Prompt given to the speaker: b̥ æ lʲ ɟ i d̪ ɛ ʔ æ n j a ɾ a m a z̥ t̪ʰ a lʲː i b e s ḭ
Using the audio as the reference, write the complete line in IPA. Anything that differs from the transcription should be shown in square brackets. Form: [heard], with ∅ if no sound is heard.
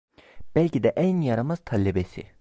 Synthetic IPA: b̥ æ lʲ [c] i d̪ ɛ ʔ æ n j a ɾ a m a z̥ t̪ʰ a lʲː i b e s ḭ

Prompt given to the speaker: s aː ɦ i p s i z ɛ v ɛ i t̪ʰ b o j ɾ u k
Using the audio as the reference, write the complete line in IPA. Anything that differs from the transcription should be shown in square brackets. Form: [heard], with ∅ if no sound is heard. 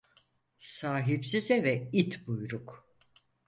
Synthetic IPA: s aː ɦ i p s i z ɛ v ɛ i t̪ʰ b [u] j ɾ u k

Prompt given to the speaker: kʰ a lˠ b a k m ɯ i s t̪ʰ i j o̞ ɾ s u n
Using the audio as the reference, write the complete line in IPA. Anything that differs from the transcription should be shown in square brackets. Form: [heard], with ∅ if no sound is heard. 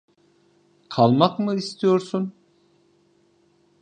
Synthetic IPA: kʰ a lˠ [m] a k m ɯ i s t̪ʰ i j o̞ ɾ s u n

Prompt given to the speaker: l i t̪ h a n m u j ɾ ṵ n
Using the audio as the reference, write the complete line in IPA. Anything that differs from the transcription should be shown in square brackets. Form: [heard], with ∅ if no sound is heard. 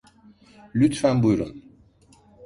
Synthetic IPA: l [y] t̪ [f] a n [b] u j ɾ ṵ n

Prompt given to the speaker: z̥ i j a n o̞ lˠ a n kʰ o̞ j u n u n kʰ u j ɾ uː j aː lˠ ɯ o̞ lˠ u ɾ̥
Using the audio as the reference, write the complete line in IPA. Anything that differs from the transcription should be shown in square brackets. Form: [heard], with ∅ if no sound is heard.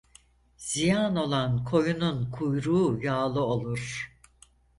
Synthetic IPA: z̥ i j a n o̞ lˠ a n kʰ o̞ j u n u n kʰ u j ɾ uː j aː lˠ ɯ o̞ lˠ u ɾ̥

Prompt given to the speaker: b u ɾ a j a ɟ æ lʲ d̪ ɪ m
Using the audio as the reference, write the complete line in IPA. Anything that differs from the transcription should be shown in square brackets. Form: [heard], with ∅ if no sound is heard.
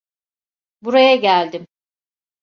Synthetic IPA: b u ɾ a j a ɟ æ lʲ d̪ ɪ m

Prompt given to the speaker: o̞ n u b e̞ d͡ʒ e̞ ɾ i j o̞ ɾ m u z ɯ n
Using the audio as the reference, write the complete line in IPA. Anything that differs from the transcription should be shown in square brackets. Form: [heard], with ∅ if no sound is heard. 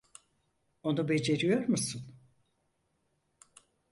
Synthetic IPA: o̞ n u b e̞ d͡ʒ e̞ ɾ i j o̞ ɾ m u [s] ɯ n

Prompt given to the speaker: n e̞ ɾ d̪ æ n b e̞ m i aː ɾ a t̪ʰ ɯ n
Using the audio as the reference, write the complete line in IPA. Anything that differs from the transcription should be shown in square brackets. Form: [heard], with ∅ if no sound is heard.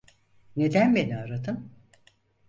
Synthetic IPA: n e̞ [∅] d̪ æ n b e̞ [n] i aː ɾ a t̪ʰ ɯ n

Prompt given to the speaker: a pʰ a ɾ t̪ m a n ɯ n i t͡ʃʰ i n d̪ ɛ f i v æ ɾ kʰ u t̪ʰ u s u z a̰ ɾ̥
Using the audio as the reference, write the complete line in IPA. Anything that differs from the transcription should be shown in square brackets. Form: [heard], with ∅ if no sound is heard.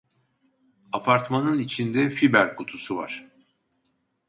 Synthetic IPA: a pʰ a ɾ t̪ m a n ɯ n i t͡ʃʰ i n d̪ ɛ f i [b] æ ɾ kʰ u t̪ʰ u s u [v] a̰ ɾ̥

